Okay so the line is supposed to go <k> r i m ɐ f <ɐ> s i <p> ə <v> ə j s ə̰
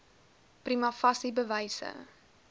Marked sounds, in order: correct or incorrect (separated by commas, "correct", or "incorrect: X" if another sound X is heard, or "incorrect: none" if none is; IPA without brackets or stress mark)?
incorrect: p, correct, incorrect: b, correct